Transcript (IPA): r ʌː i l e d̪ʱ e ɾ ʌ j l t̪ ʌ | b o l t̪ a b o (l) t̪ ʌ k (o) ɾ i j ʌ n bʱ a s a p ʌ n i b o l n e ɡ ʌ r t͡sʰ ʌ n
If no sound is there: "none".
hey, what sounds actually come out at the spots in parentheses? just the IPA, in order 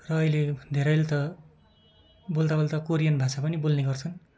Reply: l, o

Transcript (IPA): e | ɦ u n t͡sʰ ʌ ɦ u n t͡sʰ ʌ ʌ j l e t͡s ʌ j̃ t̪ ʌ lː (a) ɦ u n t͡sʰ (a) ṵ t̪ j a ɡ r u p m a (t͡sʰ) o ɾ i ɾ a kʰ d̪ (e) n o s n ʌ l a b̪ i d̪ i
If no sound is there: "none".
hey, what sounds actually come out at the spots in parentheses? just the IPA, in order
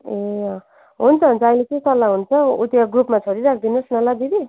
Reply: a, ʌ, t͡sʰ, i

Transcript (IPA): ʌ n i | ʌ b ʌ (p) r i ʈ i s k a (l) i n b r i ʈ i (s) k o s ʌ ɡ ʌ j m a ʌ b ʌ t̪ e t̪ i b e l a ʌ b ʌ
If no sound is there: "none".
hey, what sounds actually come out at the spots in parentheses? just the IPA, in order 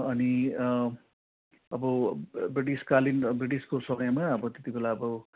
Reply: b, l, s

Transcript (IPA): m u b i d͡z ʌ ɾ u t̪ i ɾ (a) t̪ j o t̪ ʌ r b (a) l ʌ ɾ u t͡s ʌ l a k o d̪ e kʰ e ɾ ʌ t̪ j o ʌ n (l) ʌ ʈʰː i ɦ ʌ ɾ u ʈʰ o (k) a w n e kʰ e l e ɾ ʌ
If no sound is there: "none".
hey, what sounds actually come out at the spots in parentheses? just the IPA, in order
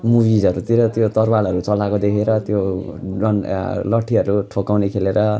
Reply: ʌ, a, l, k

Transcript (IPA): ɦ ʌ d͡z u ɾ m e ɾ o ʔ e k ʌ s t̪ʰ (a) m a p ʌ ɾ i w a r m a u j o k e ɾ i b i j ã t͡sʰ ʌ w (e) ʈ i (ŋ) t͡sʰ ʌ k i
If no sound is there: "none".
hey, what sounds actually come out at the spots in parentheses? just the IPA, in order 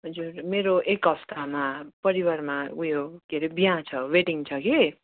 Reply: a, e, ŋ

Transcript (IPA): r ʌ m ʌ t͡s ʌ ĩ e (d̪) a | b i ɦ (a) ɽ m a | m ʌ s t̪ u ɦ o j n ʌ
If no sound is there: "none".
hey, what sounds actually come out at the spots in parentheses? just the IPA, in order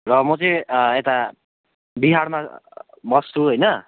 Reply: t̪, a

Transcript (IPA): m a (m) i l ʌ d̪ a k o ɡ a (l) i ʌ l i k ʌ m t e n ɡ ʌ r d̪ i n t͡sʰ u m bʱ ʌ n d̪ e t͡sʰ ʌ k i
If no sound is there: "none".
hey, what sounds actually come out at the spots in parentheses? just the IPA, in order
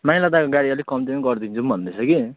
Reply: none, ɽ

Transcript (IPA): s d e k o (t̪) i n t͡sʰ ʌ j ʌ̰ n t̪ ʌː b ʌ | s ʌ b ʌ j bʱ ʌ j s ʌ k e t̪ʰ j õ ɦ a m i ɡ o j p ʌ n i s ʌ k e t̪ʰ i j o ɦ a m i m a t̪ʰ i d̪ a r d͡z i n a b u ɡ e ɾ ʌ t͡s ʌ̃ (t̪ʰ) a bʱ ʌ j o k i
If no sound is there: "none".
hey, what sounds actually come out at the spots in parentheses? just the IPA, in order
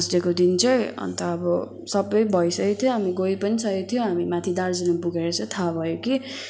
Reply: d̪, t̪ʰ

